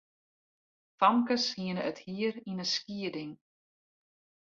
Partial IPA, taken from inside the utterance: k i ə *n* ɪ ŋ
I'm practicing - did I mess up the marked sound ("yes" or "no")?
yes